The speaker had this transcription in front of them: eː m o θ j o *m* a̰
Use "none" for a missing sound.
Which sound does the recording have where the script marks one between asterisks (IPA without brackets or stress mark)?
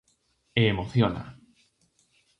n